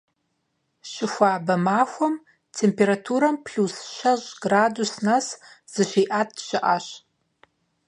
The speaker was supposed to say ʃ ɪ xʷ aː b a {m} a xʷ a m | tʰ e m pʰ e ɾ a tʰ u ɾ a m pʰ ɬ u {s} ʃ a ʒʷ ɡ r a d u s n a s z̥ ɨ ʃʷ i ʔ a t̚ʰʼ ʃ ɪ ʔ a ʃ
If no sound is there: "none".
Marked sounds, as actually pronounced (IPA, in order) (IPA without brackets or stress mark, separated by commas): m, s